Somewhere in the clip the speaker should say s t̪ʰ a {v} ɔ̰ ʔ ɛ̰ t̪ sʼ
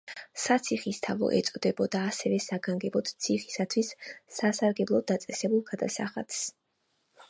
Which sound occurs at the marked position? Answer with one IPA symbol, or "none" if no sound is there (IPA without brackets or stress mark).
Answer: v